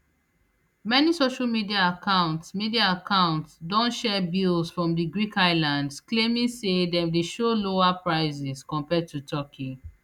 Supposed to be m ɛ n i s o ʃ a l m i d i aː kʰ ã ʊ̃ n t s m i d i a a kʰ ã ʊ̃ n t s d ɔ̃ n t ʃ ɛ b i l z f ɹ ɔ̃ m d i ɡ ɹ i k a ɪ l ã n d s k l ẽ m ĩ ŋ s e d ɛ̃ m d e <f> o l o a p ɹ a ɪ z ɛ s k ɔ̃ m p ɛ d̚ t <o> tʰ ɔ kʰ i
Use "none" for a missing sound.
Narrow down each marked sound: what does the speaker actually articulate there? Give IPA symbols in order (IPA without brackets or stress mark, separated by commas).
ʃ, u